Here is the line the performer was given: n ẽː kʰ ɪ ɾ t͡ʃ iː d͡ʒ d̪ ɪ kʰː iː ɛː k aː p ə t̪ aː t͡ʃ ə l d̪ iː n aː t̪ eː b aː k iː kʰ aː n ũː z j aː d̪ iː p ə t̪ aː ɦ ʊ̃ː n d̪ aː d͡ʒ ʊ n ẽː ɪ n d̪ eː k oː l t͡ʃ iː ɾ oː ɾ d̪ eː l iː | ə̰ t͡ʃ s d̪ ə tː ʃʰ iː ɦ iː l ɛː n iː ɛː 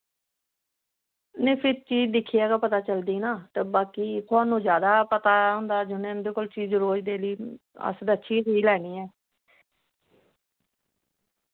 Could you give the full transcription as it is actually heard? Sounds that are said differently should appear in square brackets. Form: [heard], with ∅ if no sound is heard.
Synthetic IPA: n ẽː [pʰ] ɪ ɾ t͡ʃ iː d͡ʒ d̪ ɪ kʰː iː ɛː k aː p ə t̪ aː t͡ʃ ə l d̪ iː n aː t̪ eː b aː k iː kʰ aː n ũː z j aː d̪ [aː] p ə t̪ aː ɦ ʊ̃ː n d̪ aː d͡ʒ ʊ n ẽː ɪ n d̪ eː k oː l t͡ʃ iː ɾ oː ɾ d̪ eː l iː | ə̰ [∅] s d̪ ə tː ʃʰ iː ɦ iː l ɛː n iː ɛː